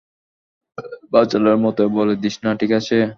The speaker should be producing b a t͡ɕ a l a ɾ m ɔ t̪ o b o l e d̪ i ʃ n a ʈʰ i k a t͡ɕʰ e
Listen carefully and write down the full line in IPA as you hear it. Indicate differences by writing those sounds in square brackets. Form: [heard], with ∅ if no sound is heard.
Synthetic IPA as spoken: b a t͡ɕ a l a ɾ m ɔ t̪ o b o l e d̪ i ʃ n a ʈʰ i k a t͡ɕʰ e